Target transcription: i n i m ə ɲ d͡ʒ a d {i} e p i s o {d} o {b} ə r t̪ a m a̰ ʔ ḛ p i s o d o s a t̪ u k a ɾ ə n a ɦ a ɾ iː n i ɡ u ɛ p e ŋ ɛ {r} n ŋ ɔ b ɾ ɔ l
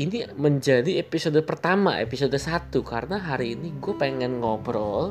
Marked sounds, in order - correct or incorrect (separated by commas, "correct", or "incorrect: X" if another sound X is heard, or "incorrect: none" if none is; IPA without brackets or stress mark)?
correct, correct, incorrect: p, incorrect: none